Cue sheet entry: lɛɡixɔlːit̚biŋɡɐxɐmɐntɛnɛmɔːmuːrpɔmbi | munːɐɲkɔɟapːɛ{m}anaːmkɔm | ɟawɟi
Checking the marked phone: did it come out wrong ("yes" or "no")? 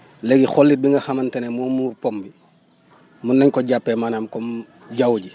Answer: no